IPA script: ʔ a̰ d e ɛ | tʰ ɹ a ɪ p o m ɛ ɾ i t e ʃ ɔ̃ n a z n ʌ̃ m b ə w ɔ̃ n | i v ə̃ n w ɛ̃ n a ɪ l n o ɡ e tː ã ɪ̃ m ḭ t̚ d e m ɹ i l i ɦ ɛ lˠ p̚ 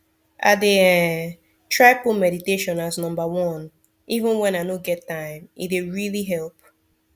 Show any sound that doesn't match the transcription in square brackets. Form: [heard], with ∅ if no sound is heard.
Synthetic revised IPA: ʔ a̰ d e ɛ | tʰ ɹ a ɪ p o m ɛ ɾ i t e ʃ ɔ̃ n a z n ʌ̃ m b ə w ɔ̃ n | i v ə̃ n w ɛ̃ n a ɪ [∅] n o ɡ [ɛ] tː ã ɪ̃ m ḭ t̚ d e [∅] ɹ i l i ɦ ɛ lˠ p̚